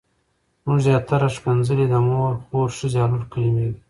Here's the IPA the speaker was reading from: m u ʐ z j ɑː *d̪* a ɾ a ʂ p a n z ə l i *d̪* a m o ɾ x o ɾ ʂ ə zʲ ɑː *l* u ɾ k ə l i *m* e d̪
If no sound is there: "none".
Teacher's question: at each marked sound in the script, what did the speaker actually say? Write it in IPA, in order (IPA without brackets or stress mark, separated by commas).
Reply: t̪, d̪, l, m